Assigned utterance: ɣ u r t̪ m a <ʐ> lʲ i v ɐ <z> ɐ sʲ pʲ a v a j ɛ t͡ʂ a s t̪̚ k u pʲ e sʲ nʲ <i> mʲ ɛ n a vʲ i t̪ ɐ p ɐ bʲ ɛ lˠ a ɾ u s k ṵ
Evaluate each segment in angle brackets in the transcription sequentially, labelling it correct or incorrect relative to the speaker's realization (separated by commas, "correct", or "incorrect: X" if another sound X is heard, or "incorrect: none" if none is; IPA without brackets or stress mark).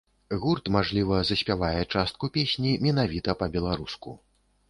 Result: correct, correct, correct